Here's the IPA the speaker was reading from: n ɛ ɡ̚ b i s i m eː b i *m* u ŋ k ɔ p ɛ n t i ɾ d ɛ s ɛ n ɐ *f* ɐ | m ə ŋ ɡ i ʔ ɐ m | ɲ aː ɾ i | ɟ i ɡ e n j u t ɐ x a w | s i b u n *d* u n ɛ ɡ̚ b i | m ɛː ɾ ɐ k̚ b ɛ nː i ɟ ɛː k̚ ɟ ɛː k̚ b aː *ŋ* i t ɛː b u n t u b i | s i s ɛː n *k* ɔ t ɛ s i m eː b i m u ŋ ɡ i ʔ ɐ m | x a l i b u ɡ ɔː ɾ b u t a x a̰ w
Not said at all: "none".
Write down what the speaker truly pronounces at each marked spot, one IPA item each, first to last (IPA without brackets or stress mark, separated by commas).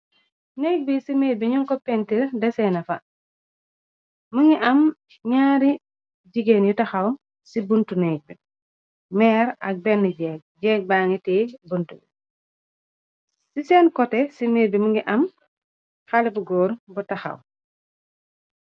ɲ, f, t, ŋ, k